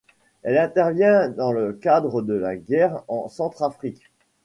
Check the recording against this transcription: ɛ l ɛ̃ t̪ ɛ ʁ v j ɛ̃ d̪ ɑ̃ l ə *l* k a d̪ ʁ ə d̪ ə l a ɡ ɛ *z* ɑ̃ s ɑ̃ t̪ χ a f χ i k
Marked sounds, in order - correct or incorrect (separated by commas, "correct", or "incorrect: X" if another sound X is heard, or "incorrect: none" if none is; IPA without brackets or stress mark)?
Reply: incorrect: none, incorrect: ʁ